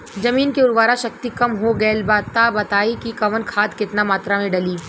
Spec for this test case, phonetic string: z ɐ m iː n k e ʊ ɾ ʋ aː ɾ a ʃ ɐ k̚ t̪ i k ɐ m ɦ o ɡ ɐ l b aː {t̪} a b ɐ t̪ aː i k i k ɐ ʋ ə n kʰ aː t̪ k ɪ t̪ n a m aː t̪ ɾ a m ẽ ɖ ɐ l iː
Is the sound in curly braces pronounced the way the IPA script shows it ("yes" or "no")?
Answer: yes